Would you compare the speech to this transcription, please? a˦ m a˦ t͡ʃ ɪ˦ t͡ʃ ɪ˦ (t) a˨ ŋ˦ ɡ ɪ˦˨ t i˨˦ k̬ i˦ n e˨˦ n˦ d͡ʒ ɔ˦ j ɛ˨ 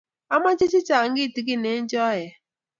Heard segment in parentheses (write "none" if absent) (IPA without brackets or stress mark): t͡ʃ